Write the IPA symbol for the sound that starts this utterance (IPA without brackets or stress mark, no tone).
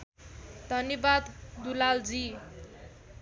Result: d̪ʱ